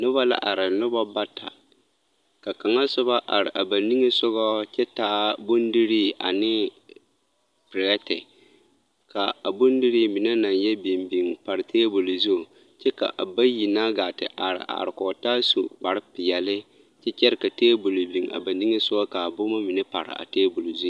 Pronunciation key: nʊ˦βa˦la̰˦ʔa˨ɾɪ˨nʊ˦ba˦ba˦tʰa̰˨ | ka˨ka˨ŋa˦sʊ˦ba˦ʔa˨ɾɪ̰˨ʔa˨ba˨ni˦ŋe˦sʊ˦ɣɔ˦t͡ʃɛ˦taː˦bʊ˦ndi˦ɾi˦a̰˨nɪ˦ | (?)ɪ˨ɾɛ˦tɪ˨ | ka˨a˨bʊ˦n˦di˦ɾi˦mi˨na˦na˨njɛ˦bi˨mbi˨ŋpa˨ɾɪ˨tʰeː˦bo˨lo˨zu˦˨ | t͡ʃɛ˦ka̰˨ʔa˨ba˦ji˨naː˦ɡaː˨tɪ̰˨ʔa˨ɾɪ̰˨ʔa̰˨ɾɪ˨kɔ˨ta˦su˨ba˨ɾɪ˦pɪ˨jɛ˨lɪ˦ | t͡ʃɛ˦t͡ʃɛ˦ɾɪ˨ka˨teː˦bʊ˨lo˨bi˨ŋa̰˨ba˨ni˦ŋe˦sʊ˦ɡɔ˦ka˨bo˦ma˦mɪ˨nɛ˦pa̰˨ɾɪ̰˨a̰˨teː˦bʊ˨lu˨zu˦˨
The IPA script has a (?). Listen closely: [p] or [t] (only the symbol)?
p